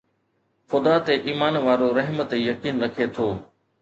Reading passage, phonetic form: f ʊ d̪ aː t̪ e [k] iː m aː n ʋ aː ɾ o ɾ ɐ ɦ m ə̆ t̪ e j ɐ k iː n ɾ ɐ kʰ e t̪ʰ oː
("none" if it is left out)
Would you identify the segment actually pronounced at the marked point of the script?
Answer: ʔ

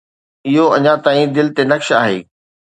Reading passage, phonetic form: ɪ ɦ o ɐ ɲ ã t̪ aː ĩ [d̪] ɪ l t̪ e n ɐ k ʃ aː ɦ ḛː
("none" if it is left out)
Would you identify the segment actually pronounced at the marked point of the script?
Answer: d̪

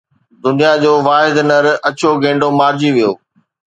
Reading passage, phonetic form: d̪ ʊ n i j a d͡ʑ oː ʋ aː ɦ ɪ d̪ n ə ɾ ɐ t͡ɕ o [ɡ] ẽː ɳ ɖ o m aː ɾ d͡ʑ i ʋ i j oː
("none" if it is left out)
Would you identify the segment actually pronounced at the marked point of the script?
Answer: ɡ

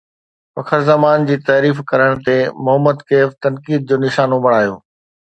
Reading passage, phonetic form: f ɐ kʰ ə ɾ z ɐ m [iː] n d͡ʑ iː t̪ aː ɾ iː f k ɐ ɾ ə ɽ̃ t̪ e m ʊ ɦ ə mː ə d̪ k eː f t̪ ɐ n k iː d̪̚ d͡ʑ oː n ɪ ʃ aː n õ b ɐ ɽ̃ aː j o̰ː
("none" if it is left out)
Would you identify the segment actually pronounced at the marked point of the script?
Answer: aː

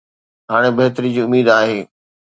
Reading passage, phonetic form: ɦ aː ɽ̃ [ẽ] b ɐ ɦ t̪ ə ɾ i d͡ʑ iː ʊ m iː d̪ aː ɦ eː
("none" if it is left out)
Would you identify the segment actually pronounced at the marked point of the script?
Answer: e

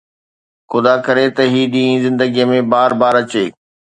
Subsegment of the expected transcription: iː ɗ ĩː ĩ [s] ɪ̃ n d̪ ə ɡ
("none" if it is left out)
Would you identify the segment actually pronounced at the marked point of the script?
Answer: z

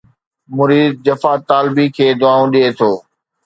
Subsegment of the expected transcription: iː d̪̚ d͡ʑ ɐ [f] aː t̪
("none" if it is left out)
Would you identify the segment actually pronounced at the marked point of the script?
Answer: f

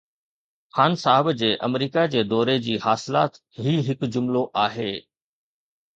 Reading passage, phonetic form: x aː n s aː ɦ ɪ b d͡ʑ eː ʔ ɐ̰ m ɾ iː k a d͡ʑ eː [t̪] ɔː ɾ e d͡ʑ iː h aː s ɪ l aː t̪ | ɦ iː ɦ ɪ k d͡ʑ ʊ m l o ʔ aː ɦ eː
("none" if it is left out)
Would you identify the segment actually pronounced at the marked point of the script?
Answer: d̪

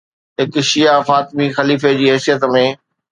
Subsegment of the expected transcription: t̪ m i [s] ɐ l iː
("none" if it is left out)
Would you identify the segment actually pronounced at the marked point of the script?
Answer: x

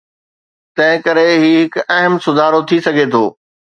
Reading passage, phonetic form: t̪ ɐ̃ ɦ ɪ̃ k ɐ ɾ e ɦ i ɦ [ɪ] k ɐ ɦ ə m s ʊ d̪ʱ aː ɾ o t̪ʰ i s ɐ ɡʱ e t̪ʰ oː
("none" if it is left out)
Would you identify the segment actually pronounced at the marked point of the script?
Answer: ɪ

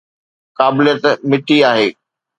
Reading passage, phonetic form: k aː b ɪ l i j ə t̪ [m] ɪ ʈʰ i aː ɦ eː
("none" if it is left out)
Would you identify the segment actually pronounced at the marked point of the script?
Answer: m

